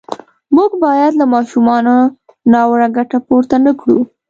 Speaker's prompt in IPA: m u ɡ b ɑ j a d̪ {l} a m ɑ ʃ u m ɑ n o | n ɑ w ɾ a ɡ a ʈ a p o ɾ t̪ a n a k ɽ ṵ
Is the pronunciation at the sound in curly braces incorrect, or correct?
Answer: correct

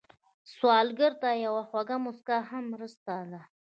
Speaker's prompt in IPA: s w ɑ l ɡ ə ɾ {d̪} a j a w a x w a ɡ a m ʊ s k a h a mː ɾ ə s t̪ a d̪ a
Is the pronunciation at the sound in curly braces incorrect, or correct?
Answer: incorrect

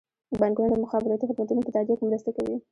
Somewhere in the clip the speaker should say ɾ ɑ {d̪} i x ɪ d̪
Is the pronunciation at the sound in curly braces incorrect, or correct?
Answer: incorrect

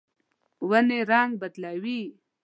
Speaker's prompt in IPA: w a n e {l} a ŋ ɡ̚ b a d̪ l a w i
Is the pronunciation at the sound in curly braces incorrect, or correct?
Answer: incorrect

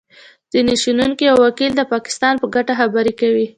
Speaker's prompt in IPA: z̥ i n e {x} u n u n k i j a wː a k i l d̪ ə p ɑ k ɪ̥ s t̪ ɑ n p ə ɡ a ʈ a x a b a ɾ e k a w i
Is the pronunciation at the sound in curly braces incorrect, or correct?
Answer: incorrect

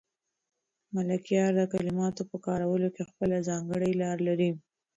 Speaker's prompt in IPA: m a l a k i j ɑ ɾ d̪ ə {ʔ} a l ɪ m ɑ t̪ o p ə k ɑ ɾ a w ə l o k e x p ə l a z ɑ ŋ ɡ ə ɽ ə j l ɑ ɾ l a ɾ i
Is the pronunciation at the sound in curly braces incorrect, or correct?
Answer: incorrect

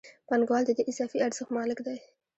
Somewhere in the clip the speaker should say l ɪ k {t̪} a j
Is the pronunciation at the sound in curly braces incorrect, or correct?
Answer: incorrect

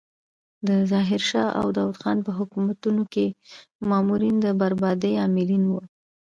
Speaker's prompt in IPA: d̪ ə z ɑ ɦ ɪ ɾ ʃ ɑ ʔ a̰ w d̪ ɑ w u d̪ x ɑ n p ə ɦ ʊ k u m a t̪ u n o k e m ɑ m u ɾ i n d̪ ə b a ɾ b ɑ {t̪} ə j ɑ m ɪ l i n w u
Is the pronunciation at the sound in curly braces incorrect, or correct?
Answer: incorrect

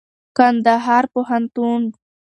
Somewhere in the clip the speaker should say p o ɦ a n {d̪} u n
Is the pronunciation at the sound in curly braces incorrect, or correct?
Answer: incorrect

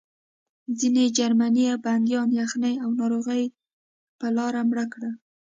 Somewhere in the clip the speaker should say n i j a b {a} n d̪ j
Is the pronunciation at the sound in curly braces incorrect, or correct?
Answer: correct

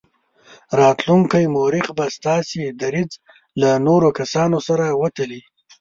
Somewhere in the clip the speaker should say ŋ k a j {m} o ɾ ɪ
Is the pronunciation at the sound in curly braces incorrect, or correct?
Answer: correct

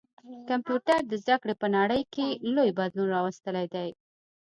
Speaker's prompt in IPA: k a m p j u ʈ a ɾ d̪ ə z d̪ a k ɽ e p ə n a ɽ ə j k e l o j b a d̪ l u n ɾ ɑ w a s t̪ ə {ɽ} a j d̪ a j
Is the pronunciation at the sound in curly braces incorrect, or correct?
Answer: incorrect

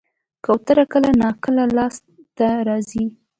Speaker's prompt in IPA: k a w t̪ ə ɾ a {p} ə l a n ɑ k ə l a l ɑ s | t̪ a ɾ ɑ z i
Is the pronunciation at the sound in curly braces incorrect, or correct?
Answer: incorrect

